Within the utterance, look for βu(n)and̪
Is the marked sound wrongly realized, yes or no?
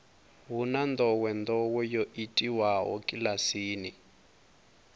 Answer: no